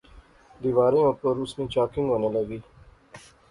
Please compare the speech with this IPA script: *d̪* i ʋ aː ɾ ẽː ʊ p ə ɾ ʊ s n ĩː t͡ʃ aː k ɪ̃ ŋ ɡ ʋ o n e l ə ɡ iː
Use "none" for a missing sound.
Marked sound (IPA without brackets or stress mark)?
d̪